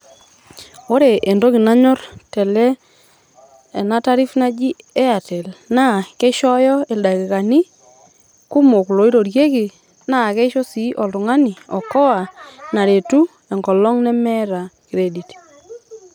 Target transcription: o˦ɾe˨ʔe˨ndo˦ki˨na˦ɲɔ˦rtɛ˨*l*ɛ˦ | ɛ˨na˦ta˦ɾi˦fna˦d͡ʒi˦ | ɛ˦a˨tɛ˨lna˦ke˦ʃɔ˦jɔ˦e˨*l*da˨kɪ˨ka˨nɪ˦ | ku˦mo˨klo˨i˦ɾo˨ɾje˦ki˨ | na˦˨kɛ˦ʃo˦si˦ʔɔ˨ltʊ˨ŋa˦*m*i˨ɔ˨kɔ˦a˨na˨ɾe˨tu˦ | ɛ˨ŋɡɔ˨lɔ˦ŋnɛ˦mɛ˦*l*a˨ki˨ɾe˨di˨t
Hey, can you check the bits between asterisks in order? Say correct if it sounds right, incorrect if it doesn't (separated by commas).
correct, correct, incorrect, incorrect